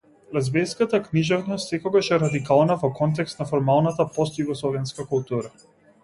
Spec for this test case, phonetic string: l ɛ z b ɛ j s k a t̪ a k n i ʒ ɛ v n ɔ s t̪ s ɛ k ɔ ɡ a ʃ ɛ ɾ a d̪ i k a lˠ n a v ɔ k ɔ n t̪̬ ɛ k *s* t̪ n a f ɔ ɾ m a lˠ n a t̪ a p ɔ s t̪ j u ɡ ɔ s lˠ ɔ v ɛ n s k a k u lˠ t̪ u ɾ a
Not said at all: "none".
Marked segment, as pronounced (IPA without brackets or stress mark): s